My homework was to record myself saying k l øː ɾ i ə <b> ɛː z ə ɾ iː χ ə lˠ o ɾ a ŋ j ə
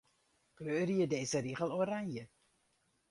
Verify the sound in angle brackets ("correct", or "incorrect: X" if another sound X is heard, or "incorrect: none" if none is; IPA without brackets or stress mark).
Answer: incorrect: d